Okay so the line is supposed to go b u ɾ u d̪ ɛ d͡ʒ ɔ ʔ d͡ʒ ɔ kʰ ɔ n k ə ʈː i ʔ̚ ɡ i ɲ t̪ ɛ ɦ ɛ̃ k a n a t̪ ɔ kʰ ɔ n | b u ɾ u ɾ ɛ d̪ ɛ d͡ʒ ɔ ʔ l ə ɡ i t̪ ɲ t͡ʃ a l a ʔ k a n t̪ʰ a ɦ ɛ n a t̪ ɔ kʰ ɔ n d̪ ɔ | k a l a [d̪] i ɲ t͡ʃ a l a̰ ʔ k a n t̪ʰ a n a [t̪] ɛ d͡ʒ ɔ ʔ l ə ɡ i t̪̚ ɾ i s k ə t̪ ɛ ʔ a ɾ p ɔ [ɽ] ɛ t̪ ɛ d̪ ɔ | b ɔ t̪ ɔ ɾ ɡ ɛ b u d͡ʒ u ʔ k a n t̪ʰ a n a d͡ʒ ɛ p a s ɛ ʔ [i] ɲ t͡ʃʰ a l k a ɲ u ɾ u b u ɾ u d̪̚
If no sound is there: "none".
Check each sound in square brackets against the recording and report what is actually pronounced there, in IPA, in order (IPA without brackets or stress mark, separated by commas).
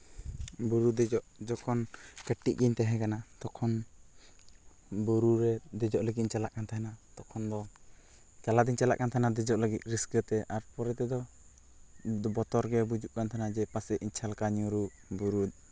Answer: d̪, d̪, ɾ, i